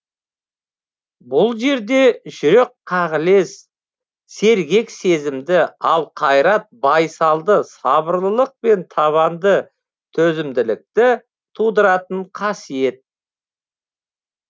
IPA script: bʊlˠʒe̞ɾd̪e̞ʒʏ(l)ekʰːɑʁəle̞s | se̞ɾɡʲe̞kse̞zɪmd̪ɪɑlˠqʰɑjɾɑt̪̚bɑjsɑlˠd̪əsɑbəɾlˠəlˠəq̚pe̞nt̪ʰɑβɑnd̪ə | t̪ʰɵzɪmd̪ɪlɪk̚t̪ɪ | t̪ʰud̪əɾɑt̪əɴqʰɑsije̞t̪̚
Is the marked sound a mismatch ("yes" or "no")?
yes